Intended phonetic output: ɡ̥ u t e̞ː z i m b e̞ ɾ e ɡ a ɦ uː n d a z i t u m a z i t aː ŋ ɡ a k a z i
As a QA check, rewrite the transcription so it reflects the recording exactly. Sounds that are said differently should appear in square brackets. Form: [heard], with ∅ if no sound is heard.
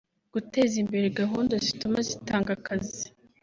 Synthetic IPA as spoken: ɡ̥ u t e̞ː z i m b e̞ ɾ e ɡ a ɦ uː n d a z i t u m a z i t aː ŋ ɡ a k a z i